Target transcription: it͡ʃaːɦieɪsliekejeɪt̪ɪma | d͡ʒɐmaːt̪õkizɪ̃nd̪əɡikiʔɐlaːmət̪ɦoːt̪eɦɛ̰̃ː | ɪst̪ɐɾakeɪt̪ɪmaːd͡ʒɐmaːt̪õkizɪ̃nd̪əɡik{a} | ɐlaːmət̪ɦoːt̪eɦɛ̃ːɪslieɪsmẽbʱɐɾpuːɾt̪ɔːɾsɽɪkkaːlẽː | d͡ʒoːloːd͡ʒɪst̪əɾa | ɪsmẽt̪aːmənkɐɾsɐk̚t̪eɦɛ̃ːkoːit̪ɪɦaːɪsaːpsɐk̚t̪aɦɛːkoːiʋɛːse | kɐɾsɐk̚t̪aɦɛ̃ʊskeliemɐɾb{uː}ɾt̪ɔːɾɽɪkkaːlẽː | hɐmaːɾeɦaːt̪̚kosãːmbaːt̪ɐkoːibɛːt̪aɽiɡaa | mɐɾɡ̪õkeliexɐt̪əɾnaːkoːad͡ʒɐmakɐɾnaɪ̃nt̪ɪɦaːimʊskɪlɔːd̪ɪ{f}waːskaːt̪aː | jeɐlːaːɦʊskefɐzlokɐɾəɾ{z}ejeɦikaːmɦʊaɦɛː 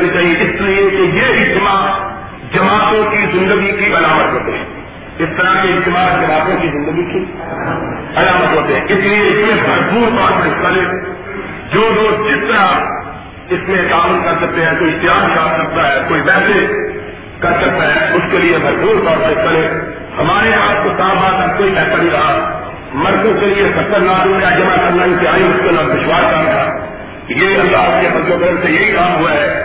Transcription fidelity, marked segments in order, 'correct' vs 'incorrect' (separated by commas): incorrect, correct, incorrect, incorrect